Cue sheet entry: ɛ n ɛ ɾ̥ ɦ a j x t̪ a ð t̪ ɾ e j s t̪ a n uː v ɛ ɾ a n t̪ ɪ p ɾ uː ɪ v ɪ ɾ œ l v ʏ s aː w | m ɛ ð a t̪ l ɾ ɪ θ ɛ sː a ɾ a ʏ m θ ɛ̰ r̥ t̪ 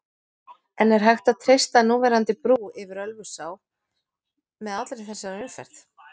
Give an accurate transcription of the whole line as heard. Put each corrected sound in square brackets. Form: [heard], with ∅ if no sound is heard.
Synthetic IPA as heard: ɛ n ɛ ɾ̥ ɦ a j x t̪ a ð [t̪ʰ] ɾ e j s t̪ a n uː v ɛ ɾ a n t̪ ɪ p ɾ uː ɪ v ɪ ɾ œ l v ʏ s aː w | m ɛ ð a t̪ l ɾ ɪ θ ɛ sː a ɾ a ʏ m [f] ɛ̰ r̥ t̪

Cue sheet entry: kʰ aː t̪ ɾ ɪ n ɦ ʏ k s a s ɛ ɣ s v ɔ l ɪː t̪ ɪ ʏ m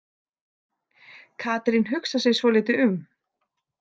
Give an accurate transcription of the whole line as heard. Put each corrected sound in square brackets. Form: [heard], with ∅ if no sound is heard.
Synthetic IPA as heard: kʰ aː t̪ ɾ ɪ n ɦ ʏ k s a s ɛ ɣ s v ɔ l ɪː t̪ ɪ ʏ m

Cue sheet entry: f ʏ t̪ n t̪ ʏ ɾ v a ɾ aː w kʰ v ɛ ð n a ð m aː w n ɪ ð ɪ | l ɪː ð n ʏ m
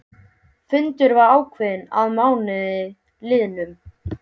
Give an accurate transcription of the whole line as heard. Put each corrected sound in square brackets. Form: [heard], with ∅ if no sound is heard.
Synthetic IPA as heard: f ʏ [∅] n t̪ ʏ ɾ v a ɾ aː w kʰ v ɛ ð n a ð m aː w n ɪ ð ɪ | l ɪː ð n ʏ m

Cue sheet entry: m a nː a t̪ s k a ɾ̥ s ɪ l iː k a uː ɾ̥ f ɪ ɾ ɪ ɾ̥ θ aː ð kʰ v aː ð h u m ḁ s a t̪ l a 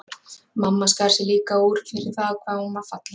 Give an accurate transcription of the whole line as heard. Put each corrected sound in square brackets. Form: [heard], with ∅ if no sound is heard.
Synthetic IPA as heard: m a [mː] a [∅] s k a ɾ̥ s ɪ l iː k a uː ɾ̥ f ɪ ɾ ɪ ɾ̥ θ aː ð kʰ v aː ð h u m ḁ [f] a t̪ l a

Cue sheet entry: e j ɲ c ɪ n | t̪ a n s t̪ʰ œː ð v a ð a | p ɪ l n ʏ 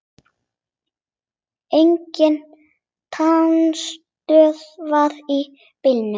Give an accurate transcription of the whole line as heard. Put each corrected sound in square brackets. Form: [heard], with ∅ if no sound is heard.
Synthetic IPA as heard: e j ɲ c ɪ n | [t̪ʰ] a n s [t̪] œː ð v a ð [i] | p ɪ l n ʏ

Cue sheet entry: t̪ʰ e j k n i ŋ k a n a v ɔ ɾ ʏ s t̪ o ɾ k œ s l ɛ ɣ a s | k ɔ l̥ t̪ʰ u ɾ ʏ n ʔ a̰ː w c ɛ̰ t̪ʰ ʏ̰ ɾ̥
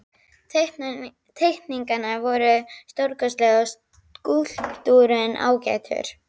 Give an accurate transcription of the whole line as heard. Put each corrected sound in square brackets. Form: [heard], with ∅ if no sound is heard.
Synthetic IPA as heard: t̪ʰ e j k n i ŋ k a n a v ɔ ɾ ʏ s t̪ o ɾ k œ s l ɛ ɣ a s | k [u] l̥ [t̪] u ɾ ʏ n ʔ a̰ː w c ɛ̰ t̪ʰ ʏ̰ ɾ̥

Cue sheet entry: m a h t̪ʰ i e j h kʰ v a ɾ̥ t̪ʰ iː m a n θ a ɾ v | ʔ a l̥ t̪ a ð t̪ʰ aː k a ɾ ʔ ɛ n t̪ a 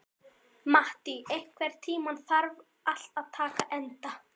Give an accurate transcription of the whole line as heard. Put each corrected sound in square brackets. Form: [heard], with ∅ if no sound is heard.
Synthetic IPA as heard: m a h [t̪] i e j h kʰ v [ɛ] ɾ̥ t̪ʰ iː m a n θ a ɾ v | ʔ a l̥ t̪ a ð t̪ʰ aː k a [∅] ʔ ɛ n t̪ a

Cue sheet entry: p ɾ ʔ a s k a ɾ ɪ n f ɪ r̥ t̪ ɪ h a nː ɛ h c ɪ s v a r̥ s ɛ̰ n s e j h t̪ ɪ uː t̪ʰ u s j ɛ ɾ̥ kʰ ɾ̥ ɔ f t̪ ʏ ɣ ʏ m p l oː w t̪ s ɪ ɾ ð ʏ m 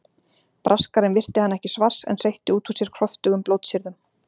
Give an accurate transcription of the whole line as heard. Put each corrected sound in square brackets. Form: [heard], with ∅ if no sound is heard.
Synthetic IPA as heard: p ɾ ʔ a s k a ɾ ɪ n [v] ɪ r̥ t̪ ɪ h a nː ɛ h c ɪ s v a r̥ s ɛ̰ n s e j h t̪ ɪ uː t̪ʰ u s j ɛ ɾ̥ kʰ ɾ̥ ɔ f t̪ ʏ ɣ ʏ m p l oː w t̪ s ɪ ɾ ð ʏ m

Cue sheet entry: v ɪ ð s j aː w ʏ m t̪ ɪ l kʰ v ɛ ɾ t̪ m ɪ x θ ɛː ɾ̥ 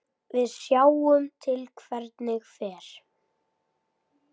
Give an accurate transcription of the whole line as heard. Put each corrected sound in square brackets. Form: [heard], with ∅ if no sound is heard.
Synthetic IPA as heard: v ɪ ð s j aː w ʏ m [t̪ʰ] ɪ l kʰ v ɛ ɾ t̪ [n] ɪ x [f] ɛː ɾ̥

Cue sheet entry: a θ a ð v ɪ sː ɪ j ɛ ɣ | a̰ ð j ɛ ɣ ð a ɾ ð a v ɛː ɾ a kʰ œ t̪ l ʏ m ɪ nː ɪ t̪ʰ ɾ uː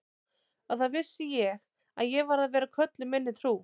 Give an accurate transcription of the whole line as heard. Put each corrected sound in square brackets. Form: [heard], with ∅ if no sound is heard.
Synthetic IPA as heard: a θ a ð v ɪ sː ɪ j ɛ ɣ | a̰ ð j ɛ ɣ [v] a ɾ ð a v ɛː ɾ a kʰ œ t̪ l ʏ m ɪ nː ɪ t̪ʰ ɾ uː

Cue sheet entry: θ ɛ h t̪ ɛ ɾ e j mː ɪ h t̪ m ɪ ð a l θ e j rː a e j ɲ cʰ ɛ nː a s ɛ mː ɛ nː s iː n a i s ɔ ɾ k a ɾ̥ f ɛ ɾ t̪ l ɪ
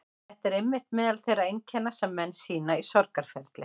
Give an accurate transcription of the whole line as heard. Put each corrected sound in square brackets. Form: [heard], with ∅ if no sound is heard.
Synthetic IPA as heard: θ ɛ h t̪ ɛ ɾ e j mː ɪ h t̪ m ɪ ð a l θ e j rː a e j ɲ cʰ ɛ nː a s ɛ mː ɛ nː s iː n a i s ɔ ɾ k a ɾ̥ f ɛ ɾ t̪ l ɪ

